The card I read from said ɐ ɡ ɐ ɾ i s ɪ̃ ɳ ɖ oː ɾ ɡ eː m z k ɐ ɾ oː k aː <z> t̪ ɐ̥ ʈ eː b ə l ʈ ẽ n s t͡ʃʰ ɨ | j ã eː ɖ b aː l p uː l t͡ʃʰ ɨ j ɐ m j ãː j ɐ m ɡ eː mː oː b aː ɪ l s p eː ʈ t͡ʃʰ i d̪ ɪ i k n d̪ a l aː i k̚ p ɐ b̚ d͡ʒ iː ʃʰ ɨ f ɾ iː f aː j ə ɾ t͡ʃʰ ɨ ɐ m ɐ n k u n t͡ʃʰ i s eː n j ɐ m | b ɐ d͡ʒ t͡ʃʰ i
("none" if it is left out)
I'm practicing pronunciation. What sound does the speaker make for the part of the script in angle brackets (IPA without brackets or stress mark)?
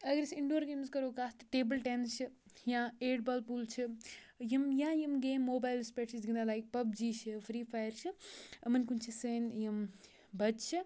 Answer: s